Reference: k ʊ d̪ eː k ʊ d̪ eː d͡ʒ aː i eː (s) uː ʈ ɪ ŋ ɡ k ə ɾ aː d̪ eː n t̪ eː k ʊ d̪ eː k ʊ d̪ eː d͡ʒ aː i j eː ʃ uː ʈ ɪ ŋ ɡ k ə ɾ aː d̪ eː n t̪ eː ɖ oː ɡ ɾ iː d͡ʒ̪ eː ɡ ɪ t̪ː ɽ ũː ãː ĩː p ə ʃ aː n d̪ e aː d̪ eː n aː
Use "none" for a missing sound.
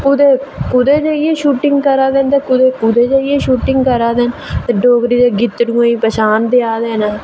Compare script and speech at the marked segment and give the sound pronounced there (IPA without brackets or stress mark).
ʃ